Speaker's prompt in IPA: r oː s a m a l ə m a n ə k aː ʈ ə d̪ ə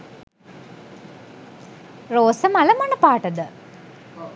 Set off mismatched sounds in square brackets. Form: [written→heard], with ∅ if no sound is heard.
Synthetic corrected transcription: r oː s [a→ə] m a l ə m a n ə [k→p] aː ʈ ə d̪ ə